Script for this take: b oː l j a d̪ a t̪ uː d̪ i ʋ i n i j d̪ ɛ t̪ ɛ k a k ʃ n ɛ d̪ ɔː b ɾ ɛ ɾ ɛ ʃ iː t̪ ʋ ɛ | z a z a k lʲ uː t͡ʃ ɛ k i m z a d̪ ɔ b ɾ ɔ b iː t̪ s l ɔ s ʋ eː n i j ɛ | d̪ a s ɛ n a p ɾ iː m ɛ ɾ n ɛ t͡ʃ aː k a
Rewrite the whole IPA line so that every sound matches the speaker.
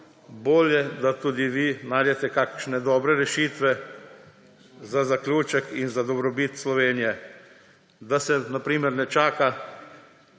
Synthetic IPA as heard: b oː l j ɛ d̪ a t̪ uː d̪ i ʋ i n a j d̪ ɛ t̪ ɛ k a k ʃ n ɛ d̪ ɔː b ɾ ɛ ɾ ɛ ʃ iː t̪ ʋ ɛ | z a z a k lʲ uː t͡ʃ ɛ k i n z a d̪ ɔ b ɾ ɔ b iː t̪ s l ɔ ʋ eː n i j ɛ | d̪ a s ɛ n a p ɾ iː m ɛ ɾ n ɛ t͡ʃ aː k a